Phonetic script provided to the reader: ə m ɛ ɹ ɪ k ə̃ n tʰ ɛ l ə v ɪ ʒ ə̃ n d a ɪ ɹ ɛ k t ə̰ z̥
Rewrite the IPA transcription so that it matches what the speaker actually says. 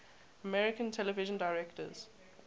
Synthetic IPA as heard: ə m ɛ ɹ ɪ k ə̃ n tʰ ɛ l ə v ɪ ʒ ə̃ n d a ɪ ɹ ɛ k t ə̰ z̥